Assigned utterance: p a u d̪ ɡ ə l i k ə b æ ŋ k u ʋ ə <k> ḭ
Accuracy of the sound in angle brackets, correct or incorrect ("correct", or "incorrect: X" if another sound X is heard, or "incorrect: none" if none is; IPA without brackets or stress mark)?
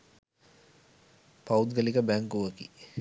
correct